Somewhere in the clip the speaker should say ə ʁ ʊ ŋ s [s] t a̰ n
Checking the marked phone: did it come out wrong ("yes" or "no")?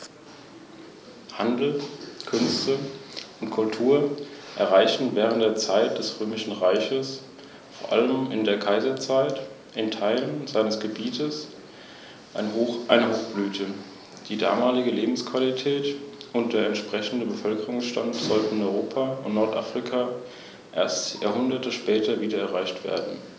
yes